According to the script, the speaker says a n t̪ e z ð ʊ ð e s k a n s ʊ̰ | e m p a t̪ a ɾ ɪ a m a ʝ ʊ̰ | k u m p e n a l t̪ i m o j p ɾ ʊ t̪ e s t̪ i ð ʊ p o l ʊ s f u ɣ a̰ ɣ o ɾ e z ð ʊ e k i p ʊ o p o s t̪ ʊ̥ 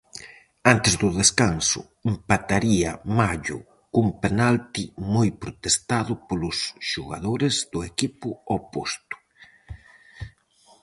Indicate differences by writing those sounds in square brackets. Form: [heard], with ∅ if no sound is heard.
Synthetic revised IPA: a n t̪ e z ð ʊ ð e s k a n s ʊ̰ | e m p a t̪ a ɾ [i] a m a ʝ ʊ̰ | k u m p e n a l t̪ i m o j p ɾ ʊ t̪ e s t̪ [a] ð ʊ p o l ʊ s [ʃ] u ɣ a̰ [ð] o ɾ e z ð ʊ e k i p ʊ o p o s t̪ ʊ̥